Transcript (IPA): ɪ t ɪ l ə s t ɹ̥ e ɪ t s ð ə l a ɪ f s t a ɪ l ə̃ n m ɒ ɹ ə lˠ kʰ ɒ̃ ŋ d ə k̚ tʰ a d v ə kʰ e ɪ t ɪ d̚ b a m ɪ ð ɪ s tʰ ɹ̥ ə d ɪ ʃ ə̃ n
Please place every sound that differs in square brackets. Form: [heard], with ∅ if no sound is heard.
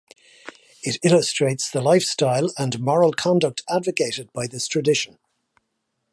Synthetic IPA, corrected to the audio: ɪ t ɪ l ə s t ɹ̥ e ɪ t s ð ə l a ɪ f s t a ɪ l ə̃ n m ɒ ɹ ə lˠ kʰ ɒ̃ [n] d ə k̚ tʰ a d v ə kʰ e ɪ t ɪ d̚ b a [∅] ɪ ð ɪ s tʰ ɹ̥ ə d ɪ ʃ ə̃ n